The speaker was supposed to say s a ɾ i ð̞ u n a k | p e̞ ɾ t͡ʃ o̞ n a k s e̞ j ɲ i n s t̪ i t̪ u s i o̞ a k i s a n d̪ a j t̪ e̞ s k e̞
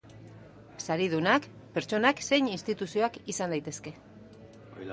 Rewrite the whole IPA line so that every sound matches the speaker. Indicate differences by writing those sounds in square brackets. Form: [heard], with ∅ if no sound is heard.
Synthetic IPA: s a ɾ i ð̞ u n a k | p e̞ ɾ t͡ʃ o̞ n a k s e̞ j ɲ i n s t̪ i t̪ u s i o̞ a k i s a n d̪ a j t̪ e̞ s k e̞